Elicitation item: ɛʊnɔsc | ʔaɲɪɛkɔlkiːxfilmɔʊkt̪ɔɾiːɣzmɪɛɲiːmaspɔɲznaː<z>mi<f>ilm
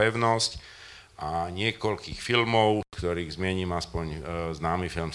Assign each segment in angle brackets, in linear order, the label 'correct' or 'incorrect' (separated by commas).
incorrect, correct